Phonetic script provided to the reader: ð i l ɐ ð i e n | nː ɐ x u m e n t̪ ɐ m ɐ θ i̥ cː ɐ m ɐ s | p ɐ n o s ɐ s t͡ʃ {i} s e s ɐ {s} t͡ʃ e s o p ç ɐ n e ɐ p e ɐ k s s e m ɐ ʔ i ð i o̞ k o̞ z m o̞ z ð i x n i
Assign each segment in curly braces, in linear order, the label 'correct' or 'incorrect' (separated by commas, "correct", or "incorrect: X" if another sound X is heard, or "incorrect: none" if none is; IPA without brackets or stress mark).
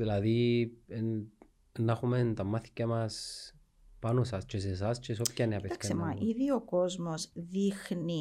incorrect: e, correct